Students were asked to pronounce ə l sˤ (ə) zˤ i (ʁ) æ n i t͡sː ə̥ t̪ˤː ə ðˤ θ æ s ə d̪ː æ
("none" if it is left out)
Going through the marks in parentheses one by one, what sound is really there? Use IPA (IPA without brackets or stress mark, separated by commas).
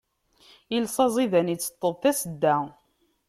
ɑ, ð